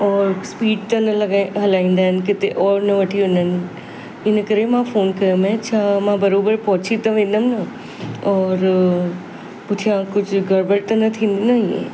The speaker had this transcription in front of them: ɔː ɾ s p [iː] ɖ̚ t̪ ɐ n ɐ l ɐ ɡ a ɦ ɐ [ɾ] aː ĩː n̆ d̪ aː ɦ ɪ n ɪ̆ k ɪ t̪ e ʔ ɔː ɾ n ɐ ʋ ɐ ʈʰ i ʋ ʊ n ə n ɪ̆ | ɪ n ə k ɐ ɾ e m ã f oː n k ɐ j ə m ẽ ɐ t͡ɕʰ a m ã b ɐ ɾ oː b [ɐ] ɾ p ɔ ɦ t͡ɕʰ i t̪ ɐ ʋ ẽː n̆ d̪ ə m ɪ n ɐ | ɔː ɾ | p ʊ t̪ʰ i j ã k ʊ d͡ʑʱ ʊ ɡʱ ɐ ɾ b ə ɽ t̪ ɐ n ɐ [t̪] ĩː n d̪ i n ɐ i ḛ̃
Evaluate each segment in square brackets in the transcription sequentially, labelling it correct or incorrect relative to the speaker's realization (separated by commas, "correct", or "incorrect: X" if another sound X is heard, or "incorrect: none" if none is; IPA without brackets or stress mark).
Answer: correct, incorrect: l, incorrect: ə, incorrect: t̪ʰ